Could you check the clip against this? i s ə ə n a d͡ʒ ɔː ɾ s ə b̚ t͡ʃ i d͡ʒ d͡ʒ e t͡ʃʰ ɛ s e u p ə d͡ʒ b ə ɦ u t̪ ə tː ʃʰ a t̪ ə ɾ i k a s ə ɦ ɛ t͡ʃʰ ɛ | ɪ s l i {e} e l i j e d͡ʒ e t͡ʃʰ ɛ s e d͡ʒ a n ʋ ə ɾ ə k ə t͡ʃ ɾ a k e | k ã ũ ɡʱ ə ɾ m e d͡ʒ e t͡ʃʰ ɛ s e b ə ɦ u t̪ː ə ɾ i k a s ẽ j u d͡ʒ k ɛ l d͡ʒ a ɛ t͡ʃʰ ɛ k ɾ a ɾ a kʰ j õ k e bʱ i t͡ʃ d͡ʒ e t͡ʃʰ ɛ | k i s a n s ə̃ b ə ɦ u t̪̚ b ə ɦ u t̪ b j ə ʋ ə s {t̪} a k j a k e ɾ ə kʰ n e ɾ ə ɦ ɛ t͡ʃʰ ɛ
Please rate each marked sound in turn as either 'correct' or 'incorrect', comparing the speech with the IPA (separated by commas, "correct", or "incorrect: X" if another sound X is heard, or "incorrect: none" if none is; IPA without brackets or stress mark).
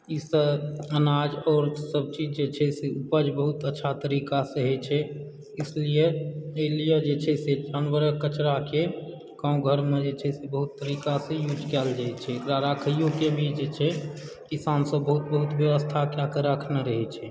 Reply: correct, incorrect: t̪ʰ